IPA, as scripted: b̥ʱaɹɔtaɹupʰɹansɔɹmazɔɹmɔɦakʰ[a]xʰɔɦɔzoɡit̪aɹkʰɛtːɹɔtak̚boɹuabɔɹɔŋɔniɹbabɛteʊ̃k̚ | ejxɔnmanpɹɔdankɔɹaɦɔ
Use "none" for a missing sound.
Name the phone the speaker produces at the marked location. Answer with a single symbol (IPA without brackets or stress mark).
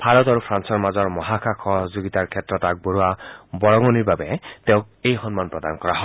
a